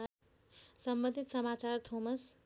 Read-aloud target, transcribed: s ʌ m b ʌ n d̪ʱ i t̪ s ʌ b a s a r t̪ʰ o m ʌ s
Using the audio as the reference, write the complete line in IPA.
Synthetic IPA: s ʌ m b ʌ n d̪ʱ i t̪ s ʌ m a t͡s a r t̪ʰ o m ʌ s